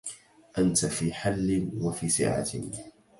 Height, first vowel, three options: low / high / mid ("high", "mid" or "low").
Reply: low